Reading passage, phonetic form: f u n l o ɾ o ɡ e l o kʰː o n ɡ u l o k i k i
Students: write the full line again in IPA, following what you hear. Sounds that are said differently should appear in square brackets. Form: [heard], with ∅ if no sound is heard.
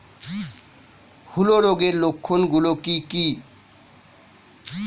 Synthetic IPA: [h] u [∅] l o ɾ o ɡ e l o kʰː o n ɡ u l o k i k i